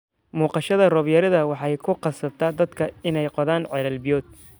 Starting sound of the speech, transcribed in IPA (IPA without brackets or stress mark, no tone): m